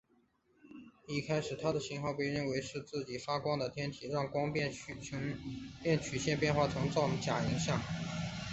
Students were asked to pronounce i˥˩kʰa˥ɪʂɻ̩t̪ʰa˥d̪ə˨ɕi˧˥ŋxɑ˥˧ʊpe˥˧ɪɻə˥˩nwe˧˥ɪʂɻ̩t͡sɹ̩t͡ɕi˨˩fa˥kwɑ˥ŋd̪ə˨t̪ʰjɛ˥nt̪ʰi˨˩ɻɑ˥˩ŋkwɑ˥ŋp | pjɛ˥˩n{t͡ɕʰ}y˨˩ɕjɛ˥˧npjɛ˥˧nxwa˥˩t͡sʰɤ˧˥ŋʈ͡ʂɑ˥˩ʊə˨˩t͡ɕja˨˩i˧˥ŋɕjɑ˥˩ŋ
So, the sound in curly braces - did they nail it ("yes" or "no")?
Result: yes